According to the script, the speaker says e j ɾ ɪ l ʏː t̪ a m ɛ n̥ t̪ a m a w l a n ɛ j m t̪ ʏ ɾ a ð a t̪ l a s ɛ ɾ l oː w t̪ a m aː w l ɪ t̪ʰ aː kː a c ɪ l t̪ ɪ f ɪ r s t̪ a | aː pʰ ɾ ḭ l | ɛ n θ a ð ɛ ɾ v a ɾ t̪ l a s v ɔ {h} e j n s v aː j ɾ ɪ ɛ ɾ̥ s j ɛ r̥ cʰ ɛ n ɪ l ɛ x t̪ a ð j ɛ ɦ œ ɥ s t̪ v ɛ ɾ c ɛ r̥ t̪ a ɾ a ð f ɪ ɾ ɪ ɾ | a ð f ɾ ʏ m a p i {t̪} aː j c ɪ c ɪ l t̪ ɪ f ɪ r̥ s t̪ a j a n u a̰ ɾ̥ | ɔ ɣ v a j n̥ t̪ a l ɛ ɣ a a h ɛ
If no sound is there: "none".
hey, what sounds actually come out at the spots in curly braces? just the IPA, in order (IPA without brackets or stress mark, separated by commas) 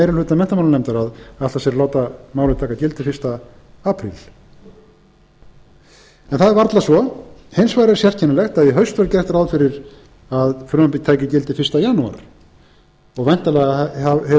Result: h, t̪ʰ